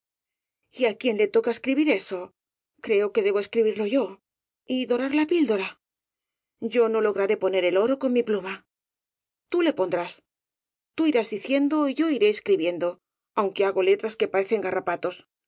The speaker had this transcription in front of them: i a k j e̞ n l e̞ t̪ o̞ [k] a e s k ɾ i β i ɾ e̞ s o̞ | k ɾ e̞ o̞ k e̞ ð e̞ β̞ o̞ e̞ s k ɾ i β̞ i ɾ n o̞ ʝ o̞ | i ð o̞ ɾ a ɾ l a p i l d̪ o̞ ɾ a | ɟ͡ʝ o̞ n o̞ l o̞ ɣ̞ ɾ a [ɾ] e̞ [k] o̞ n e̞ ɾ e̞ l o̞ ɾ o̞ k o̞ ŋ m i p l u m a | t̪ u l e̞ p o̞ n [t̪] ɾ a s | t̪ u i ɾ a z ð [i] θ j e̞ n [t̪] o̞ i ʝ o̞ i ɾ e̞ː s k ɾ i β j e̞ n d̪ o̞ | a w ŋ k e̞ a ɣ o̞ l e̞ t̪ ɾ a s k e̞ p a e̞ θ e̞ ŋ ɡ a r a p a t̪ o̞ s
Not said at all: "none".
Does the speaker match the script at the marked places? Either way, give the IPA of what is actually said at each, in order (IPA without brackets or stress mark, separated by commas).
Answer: k, ɾ, p, d̪, i, d̪